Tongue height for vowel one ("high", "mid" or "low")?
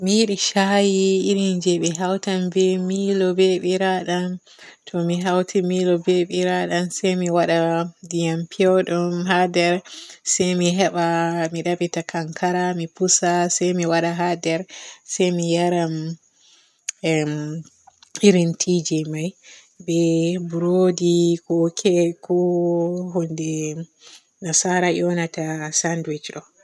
high